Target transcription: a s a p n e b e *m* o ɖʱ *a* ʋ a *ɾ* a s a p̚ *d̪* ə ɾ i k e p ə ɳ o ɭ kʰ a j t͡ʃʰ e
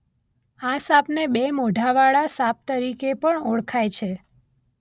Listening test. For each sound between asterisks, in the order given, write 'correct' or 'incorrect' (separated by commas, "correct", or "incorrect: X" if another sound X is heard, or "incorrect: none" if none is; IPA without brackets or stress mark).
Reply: correct, correct, incorrect: ɭ, incorrect: t̪